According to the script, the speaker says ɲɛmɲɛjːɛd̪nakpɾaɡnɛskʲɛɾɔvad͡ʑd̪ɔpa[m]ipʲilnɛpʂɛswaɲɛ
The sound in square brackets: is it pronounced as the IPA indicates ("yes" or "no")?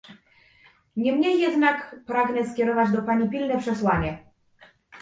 no